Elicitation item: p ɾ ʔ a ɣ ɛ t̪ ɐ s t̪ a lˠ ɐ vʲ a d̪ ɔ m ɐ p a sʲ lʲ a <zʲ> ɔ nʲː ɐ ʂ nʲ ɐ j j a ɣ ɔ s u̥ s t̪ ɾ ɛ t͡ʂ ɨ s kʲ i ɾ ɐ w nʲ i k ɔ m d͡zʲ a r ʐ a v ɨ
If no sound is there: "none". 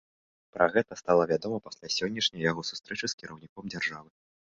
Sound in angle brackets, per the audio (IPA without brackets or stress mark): sʲ